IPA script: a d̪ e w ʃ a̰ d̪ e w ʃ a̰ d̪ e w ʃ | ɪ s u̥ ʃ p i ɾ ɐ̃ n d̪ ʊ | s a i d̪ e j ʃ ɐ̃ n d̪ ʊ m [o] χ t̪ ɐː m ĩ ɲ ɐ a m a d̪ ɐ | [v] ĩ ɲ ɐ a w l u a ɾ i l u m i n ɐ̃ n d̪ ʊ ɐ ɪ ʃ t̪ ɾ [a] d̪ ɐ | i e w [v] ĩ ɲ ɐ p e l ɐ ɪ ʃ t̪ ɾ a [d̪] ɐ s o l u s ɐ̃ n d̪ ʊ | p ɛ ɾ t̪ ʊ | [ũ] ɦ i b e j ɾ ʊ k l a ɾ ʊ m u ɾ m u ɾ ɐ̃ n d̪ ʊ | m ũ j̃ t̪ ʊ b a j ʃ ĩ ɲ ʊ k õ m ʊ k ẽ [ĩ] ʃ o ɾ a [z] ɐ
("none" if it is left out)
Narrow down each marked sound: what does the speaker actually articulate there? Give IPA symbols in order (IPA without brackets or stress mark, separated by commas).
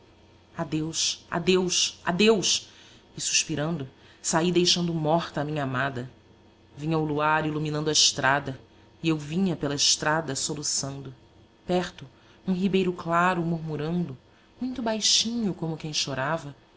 ɔ, v, a, v, d̪, ũ, j̃, v